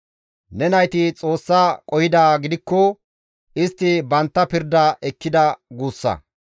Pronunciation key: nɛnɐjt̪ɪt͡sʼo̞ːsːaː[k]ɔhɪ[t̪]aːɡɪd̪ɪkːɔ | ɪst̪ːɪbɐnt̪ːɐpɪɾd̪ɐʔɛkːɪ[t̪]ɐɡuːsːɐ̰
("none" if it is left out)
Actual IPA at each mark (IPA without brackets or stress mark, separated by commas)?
kʼ, d̪, d̪